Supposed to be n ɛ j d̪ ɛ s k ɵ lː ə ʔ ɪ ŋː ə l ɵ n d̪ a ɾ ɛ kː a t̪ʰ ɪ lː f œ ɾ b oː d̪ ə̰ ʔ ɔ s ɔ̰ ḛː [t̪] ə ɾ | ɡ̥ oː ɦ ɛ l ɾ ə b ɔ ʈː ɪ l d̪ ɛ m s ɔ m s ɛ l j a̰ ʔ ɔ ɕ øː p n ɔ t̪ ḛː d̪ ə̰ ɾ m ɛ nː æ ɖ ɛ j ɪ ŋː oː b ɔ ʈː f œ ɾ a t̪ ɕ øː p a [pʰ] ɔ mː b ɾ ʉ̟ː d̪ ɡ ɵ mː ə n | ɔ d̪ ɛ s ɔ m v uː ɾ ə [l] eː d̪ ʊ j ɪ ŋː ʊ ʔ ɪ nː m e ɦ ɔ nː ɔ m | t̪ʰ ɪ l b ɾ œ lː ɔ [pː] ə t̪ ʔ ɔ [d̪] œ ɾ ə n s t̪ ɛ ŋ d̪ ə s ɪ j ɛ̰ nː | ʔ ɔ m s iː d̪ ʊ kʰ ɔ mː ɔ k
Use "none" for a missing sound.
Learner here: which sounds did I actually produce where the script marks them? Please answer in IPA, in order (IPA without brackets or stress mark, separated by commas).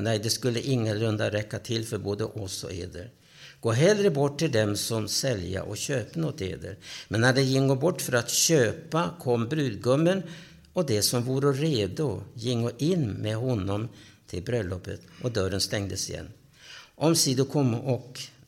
d̪, kʰ, ɾ, pː, d̪